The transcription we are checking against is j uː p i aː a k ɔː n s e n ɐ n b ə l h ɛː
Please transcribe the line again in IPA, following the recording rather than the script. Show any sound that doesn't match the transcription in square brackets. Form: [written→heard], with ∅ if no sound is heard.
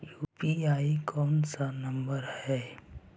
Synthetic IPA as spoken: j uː p i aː [a→i] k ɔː n s [e→a] n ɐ [n→m] b ə [l→ɾ] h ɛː